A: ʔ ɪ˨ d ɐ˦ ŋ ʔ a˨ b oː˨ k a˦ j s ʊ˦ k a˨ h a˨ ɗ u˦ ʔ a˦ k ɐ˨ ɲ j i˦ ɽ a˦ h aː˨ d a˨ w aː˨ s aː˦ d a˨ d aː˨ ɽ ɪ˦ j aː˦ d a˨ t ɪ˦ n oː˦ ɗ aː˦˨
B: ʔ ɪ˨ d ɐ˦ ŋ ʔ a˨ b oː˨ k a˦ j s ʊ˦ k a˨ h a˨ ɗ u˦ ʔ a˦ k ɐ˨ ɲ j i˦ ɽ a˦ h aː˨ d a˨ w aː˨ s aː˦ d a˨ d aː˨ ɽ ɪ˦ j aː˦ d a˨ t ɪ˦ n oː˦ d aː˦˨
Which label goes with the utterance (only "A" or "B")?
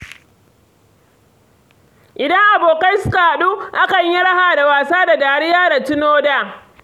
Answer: B